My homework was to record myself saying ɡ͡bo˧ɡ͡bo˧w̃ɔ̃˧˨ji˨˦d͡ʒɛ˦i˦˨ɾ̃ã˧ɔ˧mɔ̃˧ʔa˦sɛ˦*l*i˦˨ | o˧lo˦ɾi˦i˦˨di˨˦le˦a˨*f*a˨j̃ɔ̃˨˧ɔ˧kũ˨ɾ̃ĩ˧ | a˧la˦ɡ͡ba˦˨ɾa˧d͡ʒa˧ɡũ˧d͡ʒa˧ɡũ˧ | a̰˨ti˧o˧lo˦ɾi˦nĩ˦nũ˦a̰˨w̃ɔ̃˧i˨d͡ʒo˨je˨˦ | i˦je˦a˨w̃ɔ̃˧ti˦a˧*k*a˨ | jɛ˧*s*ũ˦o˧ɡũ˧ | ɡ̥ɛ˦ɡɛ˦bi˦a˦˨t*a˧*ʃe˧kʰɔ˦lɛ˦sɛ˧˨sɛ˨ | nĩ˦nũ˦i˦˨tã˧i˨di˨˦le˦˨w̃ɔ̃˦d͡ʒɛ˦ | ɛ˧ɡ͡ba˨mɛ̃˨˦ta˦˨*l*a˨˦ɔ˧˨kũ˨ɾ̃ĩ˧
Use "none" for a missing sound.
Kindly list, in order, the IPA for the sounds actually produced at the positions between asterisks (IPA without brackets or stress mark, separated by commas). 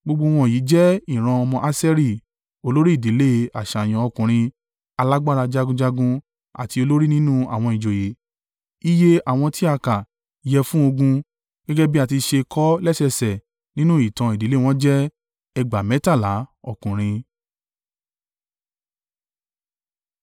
ɾ, ʃ, k, f, i˧, l